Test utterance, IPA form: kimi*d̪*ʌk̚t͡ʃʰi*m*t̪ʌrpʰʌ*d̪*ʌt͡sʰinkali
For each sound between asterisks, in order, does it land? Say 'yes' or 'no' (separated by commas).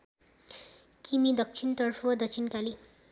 yes, no, yes